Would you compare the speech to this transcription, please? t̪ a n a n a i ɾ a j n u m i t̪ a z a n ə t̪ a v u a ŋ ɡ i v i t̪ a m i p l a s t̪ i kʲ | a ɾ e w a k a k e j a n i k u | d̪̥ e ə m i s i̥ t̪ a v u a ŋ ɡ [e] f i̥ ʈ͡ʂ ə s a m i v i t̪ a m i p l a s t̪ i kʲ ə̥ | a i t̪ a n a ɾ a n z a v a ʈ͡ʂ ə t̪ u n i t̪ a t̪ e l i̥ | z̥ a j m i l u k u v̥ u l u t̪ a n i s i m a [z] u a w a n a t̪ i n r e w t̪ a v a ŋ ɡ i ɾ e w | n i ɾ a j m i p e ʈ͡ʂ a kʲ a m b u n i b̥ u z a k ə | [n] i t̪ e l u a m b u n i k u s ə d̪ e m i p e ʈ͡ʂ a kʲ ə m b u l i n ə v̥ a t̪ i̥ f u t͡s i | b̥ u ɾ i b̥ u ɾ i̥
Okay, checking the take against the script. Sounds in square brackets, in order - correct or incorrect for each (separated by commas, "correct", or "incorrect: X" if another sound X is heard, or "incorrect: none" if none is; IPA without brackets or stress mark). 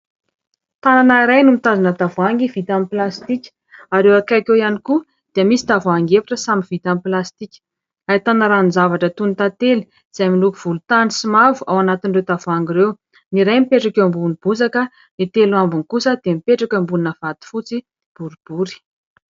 correct, incorrect: v, correct